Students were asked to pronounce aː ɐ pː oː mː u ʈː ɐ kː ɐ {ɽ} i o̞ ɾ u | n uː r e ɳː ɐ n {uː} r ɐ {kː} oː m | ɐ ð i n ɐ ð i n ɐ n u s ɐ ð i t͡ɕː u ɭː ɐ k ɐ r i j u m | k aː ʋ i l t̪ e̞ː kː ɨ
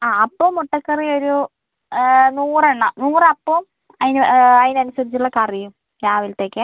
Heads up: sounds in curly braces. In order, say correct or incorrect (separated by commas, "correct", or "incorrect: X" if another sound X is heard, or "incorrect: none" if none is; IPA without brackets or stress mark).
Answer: incorrect: r, correct, incorrect: pː